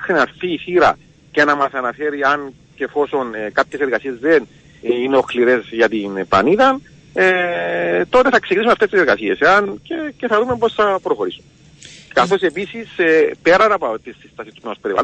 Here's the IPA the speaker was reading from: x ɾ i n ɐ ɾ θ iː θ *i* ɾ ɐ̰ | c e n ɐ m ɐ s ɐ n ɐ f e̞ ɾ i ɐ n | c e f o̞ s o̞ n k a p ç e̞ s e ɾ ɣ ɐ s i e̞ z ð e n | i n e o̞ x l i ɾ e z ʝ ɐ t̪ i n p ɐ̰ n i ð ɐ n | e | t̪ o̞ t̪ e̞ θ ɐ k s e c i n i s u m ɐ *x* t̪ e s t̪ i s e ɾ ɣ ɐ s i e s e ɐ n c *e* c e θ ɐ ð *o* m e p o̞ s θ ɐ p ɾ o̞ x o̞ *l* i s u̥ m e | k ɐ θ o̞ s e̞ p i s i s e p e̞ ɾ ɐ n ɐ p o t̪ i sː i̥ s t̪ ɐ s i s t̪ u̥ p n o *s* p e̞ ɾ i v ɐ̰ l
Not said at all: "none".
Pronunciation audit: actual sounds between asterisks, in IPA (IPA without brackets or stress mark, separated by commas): i, f, e, u, ɾ, s